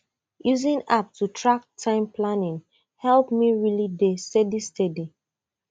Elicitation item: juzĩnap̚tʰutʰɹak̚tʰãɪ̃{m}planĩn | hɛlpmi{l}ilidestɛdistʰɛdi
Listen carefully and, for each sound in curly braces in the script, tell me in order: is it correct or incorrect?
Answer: correct, incorrect: ɹ

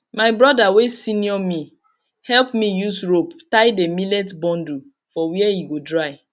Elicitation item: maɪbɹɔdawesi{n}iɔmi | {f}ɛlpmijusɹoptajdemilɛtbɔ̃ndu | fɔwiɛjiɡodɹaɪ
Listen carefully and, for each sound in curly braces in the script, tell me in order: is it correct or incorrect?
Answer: correct, incorrect: h

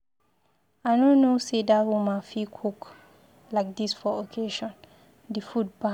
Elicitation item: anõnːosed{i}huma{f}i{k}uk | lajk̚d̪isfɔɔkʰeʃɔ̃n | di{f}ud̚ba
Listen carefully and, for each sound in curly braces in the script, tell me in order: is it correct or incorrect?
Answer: incorrect: a, correct, incorrect: kʰ, correct

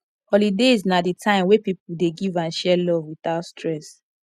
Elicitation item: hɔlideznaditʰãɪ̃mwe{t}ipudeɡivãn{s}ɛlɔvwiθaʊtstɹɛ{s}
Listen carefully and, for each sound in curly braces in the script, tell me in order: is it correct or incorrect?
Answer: incorrect: p, incorrect: ʃ, correct

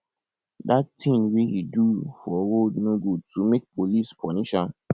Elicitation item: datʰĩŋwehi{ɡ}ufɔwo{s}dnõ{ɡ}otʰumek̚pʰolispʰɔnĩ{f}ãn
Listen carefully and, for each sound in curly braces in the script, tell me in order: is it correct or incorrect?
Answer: incorrect: d, incorrect: none, correct, incorrect: ʃ

